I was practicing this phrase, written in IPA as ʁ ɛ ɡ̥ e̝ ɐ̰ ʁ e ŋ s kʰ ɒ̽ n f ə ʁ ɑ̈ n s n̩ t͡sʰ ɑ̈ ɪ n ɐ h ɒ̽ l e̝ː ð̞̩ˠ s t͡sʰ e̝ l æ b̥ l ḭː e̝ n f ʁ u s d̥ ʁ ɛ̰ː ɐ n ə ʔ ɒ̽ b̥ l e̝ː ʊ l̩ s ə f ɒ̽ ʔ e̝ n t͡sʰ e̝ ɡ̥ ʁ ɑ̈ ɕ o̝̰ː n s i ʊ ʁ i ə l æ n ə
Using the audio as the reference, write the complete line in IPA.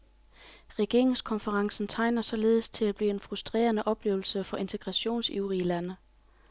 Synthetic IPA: ʁ ɛ ɡ̥ e̝ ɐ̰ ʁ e ŋ s kʰ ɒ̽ n f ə ʁ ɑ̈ ŋ s n̩ t͡sʰ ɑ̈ ɪ n ɐ s ɒ̽ l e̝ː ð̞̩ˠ s t͡sʰ e̝ l æ b̥ l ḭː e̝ n f ʁ u s d̥ ʁ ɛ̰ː ɐ n ə ʔ ɒ̽ b̥ l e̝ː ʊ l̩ s ə f ɒ̽ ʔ e̝ n t͡sʰ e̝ ɡ̥ ʁ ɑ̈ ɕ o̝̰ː n s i ʊ ʁ i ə l æ n ə

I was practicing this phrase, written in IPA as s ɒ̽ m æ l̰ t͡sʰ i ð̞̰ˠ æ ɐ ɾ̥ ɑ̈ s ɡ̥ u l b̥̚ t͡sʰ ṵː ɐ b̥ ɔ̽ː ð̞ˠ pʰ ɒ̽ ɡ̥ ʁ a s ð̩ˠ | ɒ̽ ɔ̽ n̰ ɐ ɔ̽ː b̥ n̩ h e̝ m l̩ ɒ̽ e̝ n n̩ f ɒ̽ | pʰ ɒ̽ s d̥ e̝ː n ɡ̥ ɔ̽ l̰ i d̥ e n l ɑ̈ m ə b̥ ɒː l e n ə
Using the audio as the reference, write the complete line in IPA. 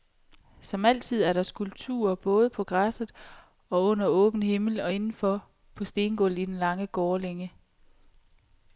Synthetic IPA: s ɒ̽ m æ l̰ t͡sʰ i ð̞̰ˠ æ ɐ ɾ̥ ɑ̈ s ɡ̥ u l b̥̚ t͡sʰ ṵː ɐ b̥ ɔ̽ː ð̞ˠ pʰ ɒ̽ ɡ̥ ʁ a s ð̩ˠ | ɒ̽ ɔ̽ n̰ ɐ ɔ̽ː b̥ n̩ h e̝ m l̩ ɒ̽ e̝ n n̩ f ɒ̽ | pʰ ɒ̽ s d̥ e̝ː n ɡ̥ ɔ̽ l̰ i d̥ e n l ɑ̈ ŋ ə ɡ̥ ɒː l e ŋ ə

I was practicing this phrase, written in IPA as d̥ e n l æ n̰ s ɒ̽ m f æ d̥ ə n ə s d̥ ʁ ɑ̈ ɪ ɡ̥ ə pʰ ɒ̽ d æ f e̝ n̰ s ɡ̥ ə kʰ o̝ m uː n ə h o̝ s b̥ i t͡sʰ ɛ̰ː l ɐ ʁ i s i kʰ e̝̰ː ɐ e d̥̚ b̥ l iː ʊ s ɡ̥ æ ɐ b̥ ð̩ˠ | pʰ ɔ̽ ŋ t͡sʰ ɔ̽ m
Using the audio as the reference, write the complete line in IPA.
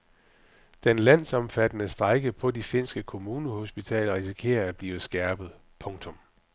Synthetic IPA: d̥ e n l æ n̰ s ɒ̽ m f æ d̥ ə n ə s d̥ ʁ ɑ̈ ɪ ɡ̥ ə pʰ ɒ̽ d i f e̝ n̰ s ɡ̥ ə kʰ o̝ m uː n ə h o̝ s b̥ i t͡sʰ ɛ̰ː l ɐ ʁ i s i kʰ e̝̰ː ɐ æ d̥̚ b̥ l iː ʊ s ɡ̥ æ ɐ b̥ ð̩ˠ | pʰ ɔ̽ ŋ t͡sʰ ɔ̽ m

